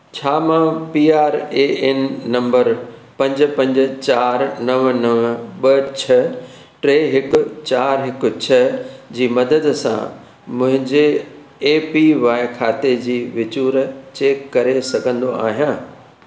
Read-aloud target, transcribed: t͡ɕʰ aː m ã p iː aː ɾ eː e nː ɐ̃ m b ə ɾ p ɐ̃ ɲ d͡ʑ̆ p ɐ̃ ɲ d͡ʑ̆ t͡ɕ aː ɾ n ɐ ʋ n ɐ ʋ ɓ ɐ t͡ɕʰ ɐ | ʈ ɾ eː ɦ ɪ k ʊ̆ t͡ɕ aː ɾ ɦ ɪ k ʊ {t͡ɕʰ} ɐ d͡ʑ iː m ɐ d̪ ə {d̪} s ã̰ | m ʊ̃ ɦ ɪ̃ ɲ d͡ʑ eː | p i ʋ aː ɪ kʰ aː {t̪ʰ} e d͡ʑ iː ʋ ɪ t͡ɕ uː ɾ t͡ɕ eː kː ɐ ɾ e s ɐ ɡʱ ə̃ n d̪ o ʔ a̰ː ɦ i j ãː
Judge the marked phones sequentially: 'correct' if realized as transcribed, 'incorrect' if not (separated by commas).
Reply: correct, correct, incorrect